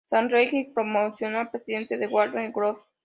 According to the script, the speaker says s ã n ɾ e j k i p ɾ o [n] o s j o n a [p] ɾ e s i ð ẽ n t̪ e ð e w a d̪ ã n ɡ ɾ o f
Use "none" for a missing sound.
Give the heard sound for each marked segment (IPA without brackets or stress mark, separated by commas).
m, p